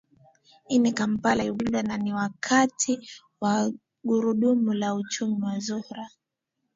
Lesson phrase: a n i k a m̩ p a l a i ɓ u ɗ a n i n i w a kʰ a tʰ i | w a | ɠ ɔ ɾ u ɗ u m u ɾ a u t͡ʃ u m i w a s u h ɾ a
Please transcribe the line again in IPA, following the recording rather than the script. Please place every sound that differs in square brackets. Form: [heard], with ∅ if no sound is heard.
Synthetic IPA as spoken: [i] n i k a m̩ p a l a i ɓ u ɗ a n [a] n i w a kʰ a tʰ i | w a | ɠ [u] ɾ u ɗ u m u [l] a u t͡ʃ u m i w a [z] u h ɾ a